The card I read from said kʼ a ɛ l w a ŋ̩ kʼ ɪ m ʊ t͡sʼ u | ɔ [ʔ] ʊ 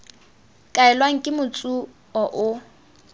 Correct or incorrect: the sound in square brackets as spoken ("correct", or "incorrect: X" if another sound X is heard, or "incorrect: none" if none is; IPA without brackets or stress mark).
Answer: correct